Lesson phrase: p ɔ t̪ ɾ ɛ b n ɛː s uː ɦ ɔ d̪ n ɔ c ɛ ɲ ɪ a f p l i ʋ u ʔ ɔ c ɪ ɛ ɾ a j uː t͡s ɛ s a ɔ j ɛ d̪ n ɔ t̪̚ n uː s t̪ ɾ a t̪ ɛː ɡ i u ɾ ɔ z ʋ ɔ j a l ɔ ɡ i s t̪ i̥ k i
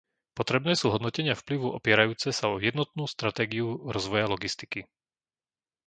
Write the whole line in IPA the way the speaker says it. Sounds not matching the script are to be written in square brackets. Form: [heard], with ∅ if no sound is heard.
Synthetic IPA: p ɔ t̪ ɾ ɛ b n ɛː s uː ɦ ɔ d̪ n ɔ c ɛ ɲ ɪ a f p l i ʋ u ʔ ɔ [p] ɪ ɛ ɾ a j uː t͡s ɛ s a ɔ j ɛ d̪ n ɔ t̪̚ n uː s t̪ ɾ a t̪ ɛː ɡ i u ɾ ɔ z ʋ ɔ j a l ɔ ɡ i s t̪ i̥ k i

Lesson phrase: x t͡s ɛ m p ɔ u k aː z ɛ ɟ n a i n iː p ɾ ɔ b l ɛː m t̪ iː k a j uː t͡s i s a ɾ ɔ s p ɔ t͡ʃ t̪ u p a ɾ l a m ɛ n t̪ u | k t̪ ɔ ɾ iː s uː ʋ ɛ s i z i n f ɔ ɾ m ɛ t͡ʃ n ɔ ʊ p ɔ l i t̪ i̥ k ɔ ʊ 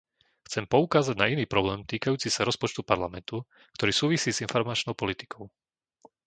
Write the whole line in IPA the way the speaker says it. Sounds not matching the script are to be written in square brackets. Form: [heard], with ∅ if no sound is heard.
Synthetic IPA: x t͡s ɛ m p ɔ u k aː z [a] ɟ n a i n iː p ɾ ɔ b l ɛː m t̪ iː k a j uː t͡s i s a ɾ ɔ s p ɔ t͡ʃ t̪ u p a ɾ l a m ɛ n t̪ u | k t̪ ɔ ɾ iː s uː ʋ [i] s [iː] z i n f ɔ ɾ m [a] t͡ʃ n ɔ ʊ p ɔ l i t̪ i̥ k ɔ ʊ

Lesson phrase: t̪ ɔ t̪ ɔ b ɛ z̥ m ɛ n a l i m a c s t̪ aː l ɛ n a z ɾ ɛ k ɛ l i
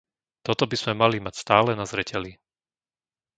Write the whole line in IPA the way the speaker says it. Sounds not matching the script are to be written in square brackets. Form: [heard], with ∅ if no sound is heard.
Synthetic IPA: t̪ ɔ t̪ ɔ b [i] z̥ m ɛ [m] a l i m a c s t̪ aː l ɛ n a z ɾ ɛ [c] ɛ l i

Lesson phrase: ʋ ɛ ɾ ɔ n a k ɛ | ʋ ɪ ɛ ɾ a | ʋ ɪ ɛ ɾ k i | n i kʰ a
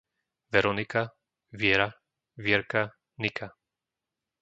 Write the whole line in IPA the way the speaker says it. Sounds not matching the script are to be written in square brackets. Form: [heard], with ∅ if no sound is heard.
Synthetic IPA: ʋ ɛ ɾ ɔ n [i] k [a] | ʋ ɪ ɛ ɾ a | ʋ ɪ ɛ ɾ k [a] | n i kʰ a

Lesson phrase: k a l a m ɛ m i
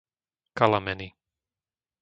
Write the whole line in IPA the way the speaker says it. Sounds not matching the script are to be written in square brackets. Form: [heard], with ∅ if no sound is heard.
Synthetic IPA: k a l a m ɛ [n] i

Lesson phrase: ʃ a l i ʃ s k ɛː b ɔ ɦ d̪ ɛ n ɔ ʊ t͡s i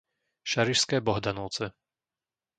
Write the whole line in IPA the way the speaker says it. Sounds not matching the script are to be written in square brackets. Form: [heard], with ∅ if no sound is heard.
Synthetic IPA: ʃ a [ɾ] i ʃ s k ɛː b ɔ ɦ d̪ [a] n ɔ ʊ t͡s [ɛ]

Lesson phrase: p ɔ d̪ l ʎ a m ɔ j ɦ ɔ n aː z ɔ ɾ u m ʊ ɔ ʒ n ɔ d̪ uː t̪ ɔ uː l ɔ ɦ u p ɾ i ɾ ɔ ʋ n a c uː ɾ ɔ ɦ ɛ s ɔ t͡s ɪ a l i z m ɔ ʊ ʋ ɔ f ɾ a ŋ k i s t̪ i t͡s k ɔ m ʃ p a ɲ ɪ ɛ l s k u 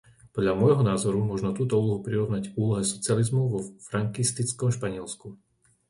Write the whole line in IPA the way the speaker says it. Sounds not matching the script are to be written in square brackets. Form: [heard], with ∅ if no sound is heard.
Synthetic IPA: p ɔ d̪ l ʎ a m ɔ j ɦ ɔ n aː z ɔ ɾ u m ʊ ɔ ʒ n ɔ [t̪] uː t̪ ɔ uː l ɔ ɦ u p ɾ i ɾ ɔ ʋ n a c uː [l] ɔ ɦ ɛ s ɔ t͡s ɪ a l i z m ɔ ʊ ʋ ɔ f ɾ a ŋ k i s t̪ i t͡s k ɔ m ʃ p a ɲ ɪ ɛ l s k u

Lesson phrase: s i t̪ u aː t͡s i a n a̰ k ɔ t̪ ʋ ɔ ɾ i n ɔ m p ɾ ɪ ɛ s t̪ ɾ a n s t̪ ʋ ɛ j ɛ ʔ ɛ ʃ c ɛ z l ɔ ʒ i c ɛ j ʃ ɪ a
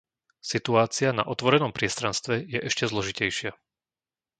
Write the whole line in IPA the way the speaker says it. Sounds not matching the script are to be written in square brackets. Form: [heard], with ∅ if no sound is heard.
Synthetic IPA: s i t̪ u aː t͡s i a n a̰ [ʔ] ɔ t̪ ʋ ɔ ɾ [ɛ] n ɔ m p ɾ ɪ ɛ s t̪ ɾ a n s t̪ ʋ ɛ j ɛ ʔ ɛ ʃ c ɛ z l ɔ ʒ i c ɛ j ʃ ɪ a

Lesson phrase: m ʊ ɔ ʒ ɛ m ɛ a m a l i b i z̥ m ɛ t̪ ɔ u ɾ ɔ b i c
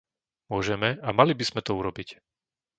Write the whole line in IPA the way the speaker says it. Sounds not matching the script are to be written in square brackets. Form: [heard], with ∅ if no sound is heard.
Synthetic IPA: m ʊ ɔ ʒ ɛ m ɛ a m a l i b i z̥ m ɛ t̪ ɔ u ɾ ɔ b i c

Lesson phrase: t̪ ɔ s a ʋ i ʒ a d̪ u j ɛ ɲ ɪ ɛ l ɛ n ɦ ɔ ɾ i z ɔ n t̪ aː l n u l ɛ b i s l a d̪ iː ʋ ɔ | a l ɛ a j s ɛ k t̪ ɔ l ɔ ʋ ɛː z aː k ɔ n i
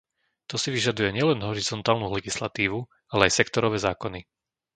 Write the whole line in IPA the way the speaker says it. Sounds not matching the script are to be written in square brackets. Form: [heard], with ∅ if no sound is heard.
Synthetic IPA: t̪ ɔ s [i] ʋ i ʒ a d̪ u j ɛ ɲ ɪ ɛ l ɛ n ɦ ɔ ɾ i z ɔ n t̪ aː l n u l ɛ [ɡ] i s l a [t̪] iː ʋ [u] | a l ɛ a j s ɛ k t̪ ɔ [ɾ] ɔ ʋ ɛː z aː k ɔ n i

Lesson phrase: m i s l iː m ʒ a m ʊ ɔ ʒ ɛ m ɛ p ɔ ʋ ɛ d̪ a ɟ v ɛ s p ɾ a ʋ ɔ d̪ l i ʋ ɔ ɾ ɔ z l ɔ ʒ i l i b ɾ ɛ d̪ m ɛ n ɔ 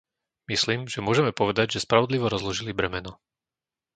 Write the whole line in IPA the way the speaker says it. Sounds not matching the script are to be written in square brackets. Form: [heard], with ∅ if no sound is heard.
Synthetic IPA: m i s l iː m ʒ [ɛ] m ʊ ɔ ʒ ɛ m ɛ p ɔ ʋ ɛ d̪ a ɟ [ʒ] ɛ s p ɾ a ʋ ɔ d̪ l i ʋ ɔ ɾ ɔ z l ɔ ʒ i l i b ɾ ɛ [∅] m ɛ n ɔ

